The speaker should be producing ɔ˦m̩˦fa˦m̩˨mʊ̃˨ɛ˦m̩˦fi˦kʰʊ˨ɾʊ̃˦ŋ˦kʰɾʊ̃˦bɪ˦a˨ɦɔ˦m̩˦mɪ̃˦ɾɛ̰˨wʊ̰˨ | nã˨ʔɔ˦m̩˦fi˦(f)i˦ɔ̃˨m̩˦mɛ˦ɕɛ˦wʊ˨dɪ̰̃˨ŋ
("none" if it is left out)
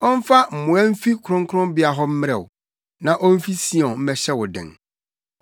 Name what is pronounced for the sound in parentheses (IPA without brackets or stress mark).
s